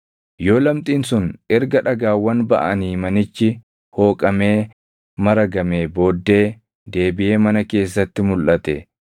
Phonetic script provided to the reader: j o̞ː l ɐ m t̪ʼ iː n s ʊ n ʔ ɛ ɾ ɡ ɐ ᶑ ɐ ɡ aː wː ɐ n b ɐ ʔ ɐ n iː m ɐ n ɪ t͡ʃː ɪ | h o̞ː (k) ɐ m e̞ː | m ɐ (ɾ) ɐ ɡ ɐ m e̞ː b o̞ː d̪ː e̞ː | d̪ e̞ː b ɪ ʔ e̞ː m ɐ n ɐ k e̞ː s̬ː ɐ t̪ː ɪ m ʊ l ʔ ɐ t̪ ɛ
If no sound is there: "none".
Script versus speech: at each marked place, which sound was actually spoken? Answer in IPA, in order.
kʼ, ɾ

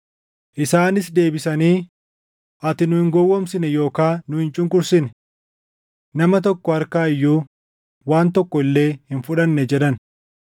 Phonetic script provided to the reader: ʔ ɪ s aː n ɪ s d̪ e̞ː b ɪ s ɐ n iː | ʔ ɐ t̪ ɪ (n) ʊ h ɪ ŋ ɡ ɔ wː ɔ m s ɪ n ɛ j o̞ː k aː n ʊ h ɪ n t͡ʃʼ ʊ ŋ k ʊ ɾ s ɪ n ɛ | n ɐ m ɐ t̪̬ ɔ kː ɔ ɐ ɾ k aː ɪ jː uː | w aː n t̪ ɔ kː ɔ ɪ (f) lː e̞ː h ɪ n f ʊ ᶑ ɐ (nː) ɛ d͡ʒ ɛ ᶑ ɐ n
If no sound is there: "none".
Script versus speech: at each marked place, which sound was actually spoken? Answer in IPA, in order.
n, none, nː

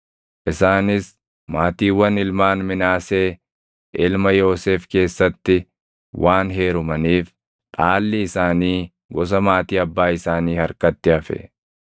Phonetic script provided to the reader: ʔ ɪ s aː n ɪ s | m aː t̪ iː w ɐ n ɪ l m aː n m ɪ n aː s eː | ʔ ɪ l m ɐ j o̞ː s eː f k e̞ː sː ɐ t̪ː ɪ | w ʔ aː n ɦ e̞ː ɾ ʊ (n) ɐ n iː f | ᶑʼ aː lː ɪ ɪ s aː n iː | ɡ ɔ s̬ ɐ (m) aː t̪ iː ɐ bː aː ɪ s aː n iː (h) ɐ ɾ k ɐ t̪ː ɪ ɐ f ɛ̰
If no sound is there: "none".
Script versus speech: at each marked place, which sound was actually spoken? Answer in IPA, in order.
m, m, h

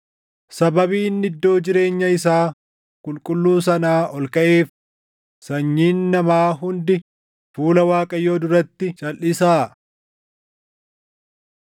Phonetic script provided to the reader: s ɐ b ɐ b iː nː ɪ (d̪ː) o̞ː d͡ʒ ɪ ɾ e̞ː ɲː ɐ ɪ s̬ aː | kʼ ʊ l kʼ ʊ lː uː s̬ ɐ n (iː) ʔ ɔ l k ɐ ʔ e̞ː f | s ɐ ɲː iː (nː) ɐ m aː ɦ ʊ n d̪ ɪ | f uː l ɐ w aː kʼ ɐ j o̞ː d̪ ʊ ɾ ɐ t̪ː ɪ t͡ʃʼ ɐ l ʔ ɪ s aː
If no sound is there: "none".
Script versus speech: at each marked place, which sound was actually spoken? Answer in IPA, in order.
d̪ː, aː, nː

